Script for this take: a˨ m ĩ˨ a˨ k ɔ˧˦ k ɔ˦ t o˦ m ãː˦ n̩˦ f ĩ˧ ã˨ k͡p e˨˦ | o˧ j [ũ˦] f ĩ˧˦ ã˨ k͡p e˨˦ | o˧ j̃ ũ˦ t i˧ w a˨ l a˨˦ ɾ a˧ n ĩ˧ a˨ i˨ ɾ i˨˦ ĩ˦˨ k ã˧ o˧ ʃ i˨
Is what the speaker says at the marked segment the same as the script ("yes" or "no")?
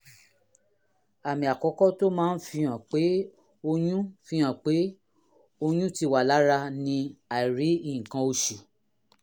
yes